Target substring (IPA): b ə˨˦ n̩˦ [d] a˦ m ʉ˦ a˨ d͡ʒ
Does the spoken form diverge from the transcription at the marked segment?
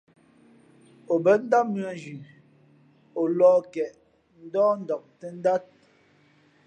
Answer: no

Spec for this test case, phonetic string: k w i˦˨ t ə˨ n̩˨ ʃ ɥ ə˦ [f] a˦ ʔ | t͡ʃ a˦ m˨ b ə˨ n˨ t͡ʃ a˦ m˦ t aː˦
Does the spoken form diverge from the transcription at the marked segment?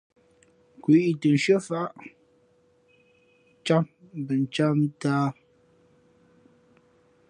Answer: no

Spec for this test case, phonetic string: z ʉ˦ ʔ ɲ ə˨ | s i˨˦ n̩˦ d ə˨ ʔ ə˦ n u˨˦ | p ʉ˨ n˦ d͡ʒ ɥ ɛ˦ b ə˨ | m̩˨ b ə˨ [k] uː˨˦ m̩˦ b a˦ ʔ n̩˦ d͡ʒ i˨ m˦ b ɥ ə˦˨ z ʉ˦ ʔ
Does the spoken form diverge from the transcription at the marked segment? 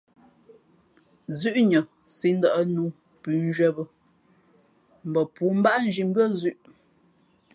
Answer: yes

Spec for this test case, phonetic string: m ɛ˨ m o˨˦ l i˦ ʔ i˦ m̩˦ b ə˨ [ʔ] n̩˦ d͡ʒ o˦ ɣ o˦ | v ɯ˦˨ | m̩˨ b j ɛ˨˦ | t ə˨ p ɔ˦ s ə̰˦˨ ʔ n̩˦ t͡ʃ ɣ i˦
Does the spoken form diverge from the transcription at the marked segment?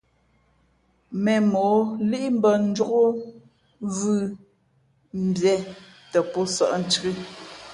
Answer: yes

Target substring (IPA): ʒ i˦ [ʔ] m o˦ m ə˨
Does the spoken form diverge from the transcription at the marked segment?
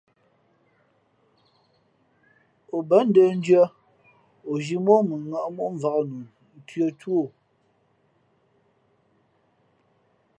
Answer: yes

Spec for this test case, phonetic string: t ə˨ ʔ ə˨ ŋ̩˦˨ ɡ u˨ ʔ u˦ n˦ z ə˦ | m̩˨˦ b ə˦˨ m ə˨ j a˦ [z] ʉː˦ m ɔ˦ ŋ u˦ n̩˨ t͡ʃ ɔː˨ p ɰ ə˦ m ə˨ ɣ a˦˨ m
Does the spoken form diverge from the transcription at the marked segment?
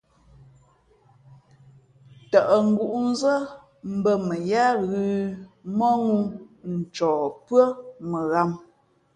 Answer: yes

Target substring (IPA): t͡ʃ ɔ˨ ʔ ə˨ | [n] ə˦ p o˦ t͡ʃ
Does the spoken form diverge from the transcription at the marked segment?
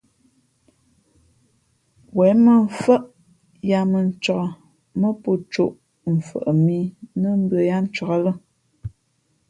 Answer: yes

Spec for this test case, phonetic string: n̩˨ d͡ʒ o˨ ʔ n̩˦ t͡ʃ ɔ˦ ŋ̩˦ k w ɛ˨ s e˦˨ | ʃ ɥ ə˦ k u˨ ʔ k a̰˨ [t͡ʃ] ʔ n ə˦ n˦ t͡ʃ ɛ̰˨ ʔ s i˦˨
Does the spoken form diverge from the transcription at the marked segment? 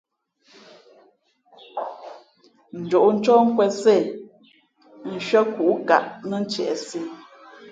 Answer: yes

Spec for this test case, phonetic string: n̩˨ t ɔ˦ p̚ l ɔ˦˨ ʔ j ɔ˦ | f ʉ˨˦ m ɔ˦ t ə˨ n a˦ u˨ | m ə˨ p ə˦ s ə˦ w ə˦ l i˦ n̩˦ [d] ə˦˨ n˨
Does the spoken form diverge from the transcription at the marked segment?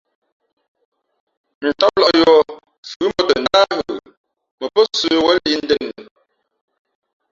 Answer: no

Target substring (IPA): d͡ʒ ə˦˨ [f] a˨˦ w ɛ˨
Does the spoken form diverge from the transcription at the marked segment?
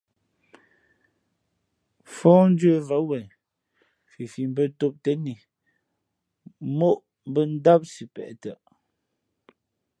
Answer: yes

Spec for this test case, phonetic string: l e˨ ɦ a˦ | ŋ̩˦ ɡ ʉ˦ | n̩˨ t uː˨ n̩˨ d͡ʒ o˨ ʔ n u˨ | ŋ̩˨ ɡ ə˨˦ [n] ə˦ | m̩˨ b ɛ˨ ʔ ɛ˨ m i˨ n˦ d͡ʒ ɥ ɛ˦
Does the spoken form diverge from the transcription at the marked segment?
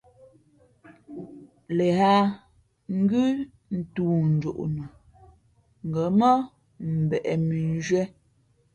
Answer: yes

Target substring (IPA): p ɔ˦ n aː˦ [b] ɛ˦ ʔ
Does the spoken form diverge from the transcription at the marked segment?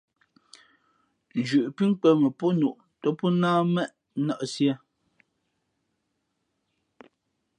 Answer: yes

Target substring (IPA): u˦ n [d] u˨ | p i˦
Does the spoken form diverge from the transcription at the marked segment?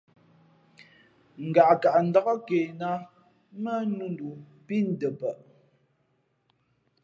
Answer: no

